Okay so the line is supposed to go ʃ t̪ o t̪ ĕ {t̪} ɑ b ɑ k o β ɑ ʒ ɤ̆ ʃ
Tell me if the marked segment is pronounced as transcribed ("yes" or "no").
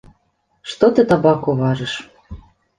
yes